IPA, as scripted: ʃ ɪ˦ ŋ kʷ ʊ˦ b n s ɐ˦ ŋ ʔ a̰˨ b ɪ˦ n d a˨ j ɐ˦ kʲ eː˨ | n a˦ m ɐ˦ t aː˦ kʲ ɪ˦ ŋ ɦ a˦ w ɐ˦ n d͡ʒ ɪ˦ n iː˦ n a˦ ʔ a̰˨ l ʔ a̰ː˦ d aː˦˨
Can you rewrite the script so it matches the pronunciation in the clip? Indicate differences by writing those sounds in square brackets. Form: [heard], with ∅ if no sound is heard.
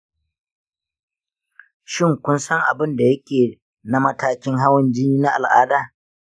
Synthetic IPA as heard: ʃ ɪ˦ ŋ kʷ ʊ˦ [∅] n s ɐ˦ ŋ ʔ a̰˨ b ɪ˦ n d a˨ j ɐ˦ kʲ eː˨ | n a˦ m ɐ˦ t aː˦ kʲ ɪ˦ ŋ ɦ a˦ w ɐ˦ n d͡ʒ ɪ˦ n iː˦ n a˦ ʔ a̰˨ l ʔ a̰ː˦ d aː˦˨